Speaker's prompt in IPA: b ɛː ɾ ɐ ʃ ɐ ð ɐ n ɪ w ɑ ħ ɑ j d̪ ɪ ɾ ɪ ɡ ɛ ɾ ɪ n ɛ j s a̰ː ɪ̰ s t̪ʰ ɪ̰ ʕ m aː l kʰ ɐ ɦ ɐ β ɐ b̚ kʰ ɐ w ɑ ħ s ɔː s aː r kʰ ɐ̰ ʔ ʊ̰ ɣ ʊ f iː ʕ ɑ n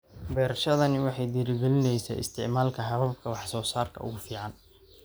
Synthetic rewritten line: b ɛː ɾ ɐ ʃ ɐ ð ɐ n ɪ w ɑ ħ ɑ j d̪ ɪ ɾ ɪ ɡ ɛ l ɪ n ɛ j s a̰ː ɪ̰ s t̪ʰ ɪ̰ ʕ m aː l kʰ ɐ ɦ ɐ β ɐ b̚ kʰ ɐ w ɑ ħ s ɔː s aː r kʰ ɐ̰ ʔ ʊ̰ ɣ ʊ f iː ʕ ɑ n